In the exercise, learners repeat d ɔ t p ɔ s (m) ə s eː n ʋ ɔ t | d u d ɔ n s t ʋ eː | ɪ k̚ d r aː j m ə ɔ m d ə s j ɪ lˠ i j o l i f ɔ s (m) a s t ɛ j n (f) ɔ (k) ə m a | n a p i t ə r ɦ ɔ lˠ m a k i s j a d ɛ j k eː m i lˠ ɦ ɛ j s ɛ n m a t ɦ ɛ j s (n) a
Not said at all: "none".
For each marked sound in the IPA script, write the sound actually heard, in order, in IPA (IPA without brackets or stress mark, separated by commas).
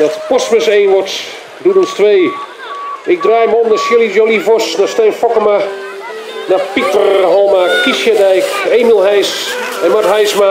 m, n, f, k, m